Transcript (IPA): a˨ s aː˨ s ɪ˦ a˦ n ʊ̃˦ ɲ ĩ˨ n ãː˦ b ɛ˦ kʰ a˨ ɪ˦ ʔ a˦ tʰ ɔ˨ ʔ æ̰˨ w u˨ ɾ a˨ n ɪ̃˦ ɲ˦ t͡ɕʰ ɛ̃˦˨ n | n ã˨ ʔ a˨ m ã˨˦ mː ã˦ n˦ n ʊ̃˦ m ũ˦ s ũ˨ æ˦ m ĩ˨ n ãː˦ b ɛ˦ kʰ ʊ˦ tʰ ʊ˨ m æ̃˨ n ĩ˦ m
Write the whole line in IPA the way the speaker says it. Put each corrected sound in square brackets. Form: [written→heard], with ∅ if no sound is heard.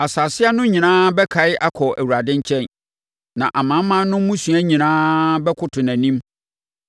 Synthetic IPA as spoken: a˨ s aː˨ s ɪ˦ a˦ n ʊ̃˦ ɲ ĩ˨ n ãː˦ b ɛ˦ kʰ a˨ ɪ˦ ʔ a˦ [tʰ→kʰ] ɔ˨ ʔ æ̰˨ w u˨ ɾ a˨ [n→d] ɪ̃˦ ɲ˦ t͡ɕʰ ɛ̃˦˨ n | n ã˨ ʔ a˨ m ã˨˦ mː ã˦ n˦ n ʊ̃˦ m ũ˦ s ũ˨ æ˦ [m→ɲ] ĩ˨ n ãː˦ b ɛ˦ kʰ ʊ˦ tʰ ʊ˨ [m→n] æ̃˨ n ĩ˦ m

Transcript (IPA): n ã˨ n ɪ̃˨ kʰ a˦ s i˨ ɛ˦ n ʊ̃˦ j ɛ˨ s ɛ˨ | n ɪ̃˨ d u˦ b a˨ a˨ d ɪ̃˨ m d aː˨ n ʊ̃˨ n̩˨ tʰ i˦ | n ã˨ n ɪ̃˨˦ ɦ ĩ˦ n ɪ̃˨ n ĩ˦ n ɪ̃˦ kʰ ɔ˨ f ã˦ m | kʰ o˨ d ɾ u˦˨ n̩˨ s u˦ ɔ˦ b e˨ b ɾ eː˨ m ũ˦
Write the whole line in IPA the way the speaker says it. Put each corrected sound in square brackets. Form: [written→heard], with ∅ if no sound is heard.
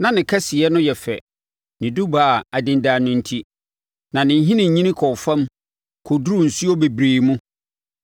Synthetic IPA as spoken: n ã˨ n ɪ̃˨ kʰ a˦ s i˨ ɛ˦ n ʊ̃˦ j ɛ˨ [s→f] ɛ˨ | n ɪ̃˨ d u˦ b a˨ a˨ d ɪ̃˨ [m→n] d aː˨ n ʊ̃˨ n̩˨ tʰ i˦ | n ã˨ n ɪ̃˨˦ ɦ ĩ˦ n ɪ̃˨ [n→ɲ] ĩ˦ n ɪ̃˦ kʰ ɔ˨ f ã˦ m | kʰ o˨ d ɾ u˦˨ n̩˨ s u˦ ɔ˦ b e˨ b ɾ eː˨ m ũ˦

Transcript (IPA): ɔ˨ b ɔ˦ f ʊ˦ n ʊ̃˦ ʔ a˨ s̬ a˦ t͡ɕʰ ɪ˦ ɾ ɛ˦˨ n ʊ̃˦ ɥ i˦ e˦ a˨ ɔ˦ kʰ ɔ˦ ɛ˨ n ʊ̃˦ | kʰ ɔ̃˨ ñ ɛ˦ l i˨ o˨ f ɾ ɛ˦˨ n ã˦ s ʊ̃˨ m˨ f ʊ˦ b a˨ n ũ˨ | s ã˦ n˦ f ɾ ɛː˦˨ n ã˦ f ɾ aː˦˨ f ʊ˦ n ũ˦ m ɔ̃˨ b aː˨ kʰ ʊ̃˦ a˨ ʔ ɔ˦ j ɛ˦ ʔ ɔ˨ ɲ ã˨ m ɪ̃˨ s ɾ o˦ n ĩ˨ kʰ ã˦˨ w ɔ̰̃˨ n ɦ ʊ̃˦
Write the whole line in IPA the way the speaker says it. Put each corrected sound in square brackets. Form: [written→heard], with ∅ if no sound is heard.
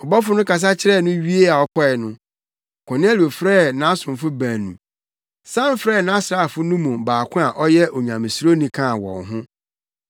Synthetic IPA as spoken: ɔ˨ b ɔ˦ f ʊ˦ n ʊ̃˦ [ʔ→k] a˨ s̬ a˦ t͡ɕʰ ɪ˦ ɾ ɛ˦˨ n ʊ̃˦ ɥ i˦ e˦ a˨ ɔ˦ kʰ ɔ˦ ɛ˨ n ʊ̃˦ | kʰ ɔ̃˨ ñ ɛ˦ l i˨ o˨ f ɾ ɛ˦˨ n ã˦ s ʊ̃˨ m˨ f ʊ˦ b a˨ n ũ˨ | s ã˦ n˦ f ɾ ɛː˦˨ n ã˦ [f→s] ɾ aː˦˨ f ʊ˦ n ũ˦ m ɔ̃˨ b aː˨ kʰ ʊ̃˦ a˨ ʔ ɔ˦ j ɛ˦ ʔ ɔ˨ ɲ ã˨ m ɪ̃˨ s ɾ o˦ n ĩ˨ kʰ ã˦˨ w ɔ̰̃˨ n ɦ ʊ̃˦

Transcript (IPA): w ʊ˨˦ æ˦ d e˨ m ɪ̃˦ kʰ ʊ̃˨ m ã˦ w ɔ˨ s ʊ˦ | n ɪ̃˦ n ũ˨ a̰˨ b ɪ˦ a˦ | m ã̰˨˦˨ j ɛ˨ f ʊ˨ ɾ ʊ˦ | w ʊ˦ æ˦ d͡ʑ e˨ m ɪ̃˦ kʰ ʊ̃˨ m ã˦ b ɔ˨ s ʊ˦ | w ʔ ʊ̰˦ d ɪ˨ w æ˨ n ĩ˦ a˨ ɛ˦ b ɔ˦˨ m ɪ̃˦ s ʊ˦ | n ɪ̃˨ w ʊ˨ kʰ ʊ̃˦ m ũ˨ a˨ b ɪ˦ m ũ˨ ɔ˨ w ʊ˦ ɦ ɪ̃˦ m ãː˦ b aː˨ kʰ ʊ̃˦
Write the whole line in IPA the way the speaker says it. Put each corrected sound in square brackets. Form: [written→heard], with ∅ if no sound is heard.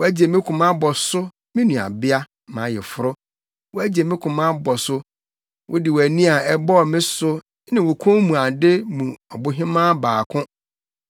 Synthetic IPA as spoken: w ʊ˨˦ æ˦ [d→d͡ʑ] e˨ m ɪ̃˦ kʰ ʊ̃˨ m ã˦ [w→b] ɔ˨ s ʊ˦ | [n→m] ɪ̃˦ n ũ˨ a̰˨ b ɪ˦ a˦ | m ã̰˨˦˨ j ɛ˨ f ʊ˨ ɾ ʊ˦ | w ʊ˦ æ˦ d͡ʑ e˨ m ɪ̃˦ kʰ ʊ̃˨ m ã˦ b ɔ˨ s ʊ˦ | w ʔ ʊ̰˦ d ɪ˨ w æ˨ n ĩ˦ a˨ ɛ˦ b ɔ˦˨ m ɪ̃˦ s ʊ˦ | n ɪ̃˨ w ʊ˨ kʰ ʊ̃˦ m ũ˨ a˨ [b→d] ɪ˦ m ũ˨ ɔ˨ [w→b] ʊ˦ ɦ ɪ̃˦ m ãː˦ b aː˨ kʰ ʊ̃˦

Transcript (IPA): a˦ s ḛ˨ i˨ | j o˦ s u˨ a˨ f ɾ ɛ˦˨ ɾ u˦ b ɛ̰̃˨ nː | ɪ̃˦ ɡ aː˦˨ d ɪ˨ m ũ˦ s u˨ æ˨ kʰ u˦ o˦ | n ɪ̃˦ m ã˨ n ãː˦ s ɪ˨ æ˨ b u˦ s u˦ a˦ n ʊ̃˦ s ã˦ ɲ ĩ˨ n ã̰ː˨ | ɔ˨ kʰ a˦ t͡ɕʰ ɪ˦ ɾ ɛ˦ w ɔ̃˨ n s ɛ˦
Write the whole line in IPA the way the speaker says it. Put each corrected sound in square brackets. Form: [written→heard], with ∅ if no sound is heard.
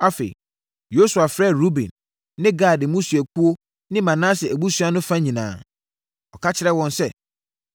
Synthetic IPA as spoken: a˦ [s→f] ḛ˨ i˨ | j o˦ s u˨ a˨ f ɾ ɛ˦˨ ɾ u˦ b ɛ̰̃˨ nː | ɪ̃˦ ɡ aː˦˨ d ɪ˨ m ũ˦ s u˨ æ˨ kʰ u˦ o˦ | n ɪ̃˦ m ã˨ n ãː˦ s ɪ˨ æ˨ b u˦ s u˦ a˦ n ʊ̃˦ [s→f] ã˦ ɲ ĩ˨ n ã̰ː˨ | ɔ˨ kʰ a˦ t͡ɕʰ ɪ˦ ɾ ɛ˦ w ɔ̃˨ n s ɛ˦

